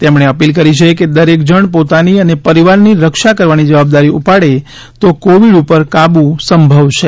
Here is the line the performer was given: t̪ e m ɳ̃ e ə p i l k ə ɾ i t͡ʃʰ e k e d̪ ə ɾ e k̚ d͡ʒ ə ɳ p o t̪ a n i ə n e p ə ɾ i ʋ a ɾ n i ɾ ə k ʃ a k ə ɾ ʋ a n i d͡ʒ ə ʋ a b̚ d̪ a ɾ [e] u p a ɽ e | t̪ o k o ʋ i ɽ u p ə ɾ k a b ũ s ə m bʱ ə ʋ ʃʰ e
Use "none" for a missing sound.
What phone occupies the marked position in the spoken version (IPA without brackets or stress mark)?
i